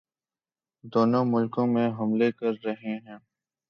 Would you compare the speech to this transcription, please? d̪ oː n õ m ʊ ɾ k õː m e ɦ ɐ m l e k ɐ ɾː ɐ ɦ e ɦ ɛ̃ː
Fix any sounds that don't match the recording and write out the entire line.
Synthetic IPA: d̪ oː n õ m ʊ l k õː m ẽ ɦ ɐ m l e k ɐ ɾː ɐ ɦ e ɦ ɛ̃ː